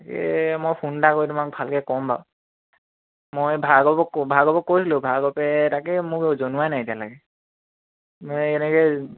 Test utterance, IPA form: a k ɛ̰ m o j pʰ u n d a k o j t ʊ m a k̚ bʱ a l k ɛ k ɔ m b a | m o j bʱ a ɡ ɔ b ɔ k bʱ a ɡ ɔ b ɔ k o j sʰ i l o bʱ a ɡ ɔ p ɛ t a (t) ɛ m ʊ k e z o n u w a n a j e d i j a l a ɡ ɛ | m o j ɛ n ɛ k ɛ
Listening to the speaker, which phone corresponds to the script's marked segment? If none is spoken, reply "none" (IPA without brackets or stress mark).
k